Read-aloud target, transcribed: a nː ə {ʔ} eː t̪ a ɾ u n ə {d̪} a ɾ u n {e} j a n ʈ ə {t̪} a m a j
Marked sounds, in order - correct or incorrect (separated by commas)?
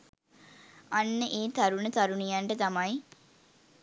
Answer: correct, incorrect, incorrect, correct